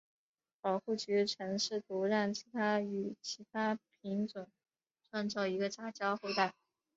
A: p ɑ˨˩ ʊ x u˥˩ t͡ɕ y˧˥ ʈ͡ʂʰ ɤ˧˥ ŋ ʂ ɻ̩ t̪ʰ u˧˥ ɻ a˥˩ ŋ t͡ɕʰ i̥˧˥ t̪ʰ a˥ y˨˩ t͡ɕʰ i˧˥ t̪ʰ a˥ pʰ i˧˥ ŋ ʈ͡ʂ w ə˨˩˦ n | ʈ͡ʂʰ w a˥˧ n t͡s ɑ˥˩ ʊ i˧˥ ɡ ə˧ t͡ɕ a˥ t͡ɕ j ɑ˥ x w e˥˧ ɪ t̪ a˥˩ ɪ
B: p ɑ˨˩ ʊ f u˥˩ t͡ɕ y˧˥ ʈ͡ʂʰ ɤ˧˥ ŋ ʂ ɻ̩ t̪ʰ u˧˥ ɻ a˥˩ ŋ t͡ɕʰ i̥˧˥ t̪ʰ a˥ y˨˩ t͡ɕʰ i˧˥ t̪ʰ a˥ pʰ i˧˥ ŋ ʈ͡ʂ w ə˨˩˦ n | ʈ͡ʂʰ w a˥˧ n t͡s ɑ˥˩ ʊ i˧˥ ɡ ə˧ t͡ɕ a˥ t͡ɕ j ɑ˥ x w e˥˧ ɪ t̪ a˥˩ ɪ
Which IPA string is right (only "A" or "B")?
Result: A